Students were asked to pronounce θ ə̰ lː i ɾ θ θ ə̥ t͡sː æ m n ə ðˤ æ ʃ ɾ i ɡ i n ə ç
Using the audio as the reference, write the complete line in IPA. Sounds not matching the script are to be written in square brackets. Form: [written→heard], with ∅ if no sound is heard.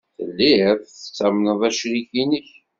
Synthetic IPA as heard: θ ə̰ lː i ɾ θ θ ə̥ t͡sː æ m n ə ðˤ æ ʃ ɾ i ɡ i n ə ç